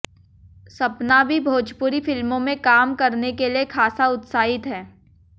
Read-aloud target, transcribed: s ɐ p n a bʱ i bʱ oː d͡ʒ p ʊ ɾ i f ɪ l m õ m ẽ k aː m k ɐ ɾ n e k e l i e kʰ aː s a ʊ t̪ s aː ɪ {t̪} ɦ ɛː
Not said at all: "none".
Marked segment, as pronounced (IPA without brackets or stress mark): t̪